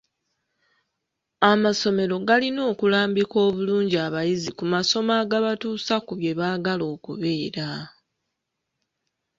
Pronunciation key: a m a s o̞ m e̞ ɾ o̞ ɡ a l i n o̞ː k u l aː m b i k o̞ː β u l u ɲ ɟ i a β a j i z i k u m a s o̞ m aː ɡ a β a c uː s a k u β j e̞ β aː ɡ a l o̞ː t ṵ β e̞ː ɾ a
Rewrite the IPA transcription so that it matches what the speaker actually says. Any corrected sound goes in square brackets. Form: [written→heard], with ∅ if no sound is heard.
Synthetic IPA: a m a s o̞ m e̞ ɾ o̞ ɡ a l i n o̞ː k u l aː m b i k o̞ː β u l [u→uː] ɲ ɟ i a β a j i z i k u m a s o̞ m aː ɡ a β a [c→t] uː s a k u β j e̞ β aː ɡ a l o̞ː [t→k] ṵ β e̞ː ɾ a